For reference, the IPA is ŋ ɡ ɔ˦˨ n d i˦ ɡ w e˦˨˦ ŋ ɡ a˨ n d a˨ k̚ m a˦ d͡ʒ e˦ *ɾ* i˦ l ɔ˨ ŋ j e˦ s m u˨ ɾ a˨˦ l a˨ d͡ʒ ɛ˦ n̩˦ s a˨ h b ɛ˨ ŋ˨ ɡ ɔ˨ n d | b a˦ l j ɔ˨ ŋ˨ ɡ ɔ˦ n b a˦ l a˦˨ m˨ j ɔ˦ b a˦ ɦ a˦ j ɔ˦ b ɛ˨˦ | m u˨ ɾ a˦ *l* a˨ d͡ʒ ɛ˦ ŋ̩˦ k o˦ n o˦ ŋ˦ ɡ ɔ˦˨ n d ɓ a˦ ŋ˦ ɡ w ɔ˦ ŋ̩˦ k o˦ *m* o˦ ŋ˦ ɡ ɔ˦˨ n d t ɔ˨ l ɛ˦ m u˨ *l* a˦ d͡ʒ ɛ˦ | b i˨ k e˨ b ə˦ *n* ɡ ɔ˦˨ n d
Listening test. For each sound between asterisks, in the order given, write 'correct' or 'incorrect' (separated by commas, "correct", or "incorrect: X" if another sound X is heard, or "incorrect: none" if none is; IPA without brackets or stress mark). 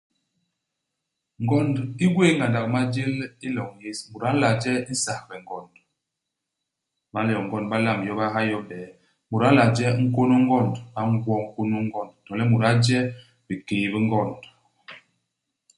incorrect: l, correct, incorrect: n, incorrect: ɾ, incorrect: ŋ